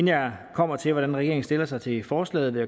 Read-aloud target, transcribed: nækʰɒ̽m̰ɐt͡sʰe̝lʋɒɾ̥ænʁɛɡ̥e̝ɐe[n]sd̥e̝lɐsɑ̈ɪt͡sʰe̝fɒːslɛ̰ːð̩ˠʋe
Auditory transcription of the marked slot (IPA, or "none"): ŋ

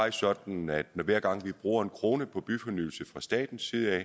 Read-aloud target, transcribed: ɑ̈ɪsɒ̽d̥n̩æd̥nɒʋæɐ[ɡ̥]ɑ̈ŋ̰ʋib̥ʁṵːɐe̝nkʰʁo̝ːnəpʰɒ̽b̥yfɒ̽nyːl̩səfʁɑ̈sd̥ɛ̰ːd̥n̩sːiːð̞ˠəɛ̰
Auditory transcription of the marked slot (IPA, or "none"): ɡ̥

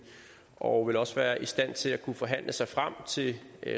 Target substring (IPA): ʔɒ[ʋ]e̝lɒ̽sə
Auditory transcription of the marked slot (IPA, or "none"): ʋ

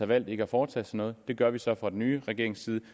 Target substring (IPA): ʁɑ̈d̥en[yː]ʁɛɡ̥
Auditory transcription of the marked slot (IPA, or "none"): yː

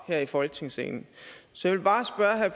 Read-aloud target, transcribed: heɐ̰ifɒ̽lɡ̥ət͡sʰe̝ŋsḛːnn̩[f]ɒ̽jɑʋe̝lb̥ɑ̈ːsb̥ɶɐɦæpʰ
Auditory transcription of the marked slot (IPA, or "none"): s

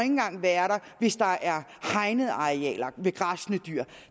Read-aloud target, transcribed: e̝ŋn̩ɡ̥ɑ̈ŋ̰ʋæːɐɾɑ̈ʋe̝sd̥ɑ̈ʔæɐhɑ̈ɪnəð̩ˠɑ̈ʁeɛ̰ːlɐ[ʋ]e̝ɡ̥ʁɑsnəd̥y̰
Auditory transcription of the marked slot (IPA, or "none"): ʋ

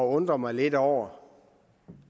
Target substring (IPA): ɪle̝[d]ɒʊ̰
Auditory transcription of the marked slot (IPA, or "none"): d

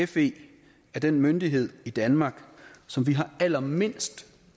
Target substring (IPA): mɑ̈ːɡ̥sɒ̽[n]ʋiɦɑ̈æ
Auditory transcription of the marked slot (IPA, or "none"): m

